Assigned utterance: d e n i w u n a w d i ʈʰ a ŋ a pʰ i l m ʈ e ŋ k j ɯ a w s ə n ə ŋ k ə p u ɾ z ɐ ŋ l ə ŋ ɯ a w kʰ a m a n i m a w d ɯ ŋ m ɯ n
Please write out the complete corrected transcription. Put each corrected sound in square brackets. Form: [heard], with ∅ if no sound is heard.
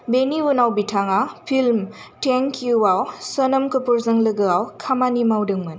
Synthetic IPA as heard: [b] e n i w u n a w [b] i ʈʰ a ŋ a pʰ i l m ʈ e ŋ k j [u] a w s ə n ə [m] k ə p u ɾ z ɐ ŋ l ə [ɡ] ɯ a w kʰ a m a n i m a w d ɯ ŋ m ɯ n

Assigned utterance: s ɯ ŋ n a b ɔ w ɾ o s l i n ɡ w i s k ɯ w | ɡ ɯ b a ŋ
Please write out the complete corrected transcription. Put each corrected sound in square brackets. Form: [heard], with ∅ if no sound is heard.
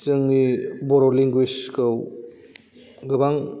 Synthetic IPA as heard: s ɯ ŋ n [i] b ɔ [∅] ɾ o [∅] l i [ŋ] ɡ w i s k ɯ w | ɡ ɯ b a ŋ

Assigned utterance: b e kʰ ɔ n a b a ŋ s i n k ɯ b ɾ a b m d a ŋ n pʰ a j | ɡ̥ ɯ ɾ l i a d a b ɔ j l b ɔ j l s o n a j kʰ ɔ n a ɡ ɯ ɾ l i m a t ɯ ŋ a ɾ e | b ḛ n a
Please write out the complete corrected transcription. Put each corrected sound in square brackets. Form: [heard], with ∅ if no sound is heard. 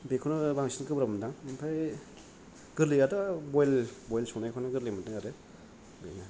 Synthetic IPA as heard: b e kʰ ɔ n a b a ŋ s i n k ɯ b ɾ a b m d a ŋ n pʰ a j | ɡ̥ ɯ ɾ l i a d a b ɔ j l b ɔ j l s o n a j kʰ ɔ n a ɡ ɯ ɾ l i m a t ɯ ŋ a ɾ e | b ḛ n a

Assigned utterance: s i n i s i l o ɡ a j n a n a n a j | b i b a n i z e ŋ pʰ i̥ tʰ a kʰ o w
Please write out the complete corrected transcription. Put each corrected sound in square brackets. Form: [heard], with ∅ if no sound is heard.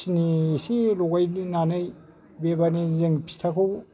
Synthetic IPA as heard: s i n i s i l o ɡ a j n [i] n a n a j | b [e] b a n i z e ŋ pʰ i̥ tʰ a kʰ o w

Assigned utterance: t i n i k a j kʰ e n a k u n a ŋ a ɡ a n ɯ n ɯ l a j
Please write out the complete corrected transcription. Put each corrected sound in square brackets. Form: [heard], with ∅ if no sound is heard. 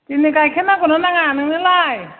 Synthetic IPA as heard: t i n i k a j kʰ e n a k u n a [n] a [ŋ] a n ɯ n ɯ l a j

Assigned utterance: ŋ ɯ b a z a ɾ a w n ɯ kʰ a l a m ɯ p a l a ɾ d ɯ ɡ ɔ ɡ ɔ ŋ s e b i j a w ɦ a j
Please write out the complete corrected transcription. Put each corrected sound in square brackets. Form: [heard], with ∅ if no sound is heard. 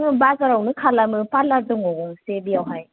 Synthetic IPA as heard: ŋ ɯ b a z a ɾ a w n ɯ kʰ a l a m ɯ p a l a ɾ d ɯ [ŋ] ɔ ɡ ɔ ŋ s e b i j a w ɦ a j

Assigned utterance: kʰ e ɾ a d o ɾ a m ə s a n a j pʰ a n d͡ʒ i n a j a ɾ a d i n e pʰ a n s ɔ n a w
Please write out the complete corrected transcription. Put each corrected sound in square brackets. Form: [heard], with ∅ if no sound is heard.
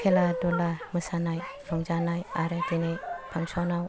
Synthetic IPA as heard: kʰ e [l] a d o [l] a m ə s a n a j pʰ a [ŋ] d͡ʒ [a] n a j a ɾ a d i n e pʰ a [ŋ] s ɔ n a w

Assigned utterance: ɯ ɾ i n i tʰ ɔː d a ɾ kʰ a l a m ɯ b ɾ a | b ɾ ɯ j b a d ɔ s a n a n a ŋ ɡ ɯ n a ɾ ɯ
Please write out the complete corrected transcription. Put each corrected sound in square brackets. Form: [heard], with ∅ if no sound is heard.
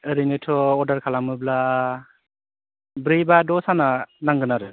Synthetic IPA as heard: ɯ ɾ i n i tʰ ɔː d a ɾ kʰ a l a m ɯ b [l] a | b ɾ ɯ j b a d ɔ s a n a n a ŋ ɡ ɯ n a ɾ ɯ

